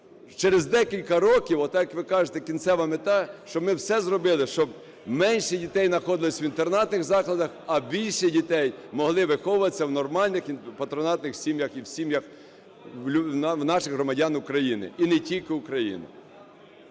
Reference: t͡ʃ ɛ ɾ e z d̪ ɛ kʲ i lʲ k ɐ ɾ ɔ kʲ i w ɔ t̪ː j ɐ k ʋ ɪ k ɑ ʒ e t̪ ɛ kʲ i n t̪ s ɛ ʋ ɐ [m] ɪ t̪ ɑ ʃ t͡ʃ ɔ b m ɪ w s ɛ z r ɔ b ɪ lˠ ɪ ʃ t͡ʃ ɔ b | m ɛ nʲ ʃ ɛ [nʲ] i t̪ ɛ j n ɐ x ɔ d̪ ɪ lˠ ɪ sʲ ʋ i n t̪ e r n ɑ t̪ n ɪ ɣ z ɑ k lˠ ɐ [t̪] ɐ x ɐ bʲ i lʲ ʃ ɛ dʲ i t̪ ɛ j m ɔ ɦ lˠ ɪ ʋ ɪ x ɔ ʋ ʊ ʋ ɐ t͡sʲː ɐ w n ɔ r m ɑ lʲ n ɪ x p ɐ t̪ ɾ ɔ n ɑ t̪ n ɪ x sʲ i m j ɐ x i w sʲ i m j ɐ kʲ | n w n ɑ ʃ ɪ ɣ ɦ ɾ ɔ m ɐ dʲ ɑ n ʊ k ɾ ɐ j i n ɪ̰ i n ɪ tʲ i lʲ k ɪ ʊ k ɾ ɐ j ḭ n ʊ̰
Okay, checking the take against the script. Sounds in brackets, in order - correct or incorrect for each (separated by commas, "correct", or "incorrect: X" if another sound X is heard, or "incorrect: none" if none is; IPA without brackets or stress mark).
correct, incorrect: dʲ, incorrect: d̪